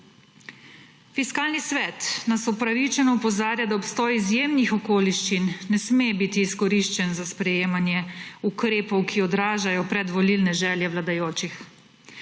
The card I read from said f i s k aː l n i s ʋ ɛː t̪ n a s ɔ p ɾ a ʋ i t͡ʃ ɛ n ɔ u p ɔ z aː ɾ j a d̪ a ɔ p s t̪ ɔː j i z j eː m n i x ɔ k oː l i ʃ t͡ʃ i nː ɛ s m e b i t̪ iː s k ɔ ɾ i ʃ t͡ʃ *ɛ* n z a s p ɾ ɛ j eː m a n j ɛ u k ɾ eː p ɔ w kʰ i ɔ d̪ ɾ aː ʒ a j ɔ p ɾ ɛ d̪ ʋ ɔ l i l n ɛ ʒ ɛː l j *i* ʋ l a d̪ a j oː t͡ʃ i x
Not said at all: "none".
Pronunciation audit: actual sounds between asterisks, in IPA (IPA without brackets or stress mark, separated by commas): ɛ, ɛ